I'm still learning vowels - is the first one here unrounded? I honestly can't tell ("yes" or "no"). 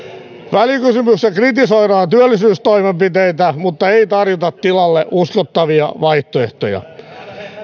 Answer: yes